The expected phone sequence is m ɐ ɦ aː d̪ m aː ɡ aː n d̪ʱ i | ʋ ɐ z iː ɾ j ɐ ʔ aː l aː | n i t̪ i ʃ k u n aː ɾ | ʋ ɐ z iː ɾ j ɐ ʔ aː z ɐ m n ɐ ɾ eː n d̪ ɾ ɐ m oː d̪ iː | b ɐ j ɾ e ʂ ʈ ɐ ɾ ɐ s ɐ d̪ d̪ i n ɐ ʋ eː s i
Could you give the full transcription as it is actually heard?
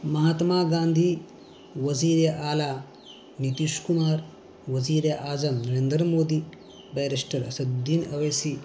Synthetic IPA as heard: m ɐ ɦ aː t̪ m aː ɡ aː n d̪ʱ i | ʋ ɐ z iː ɾ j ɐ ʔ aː l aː | n i t̪ i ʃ k u m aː ɾ | ʋ ɐ z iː ɾ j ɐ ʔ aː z ɐ m n ɐ ɾ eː n d̪ ɾ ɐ m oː d̪ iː | b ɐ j ɾ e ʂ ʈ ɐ ɾ ɐ s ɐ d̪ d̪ i n ɐ ʋ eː s i